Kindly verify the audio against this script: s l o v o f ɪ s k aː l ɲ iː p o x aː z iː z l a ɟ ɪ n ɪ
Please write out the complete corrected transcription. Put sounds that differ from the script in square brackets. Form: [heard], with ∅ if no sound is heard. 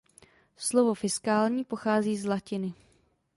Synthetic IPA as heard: s l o v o f ɪ s k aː l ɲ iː p o x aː z iː z l a [c] ɪ n ɪ